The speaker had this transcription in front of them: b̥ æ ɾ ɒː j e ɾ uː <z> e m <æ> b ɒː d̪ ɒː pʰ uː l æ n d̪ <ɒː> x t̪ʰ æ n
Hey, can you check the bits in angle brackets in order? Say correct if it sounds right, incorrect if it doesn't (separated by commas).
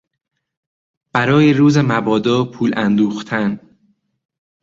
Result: correct, correct, incorrect